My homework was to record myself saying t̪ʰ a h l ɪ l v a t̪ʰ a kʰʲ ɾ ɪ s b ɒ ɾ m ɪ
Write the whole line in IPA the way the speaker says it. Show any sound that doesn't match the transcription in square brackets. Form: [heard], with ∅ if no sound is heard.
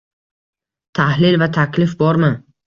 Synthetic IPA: t̪ʰ a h l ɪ l v a t̪ʰ a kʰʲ [l] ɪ [f] b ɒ ɾ m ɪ